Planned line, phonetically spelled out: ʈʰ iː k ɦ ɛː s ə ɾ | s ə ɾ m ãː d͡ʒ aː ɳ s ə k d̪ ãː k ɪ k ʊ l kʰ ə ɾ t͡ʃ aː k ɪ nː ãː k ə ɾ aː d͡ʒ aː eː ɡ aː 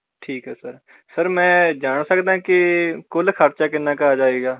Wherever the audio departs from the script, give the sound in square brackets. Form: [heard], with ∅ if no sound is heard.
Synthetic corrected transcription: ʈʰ iː k ɦ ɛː s ə ɾ | s ə ɾ m [ɛ̃ː] d͡ʒ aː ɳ s ə k d̪ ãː k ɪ k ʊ l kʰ ə ɾ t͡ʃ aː k ɪ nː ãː k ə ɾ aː d͡ʒ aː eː ɡ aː